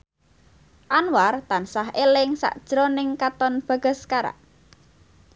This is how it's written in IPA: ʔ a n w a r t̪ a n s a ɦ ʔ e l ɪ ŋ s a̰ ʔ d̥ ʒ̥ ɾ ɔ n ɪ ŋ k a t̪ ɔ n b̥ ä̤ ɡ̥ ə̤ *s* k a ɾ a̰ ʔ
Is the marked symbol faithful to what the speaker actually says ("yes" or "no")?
yes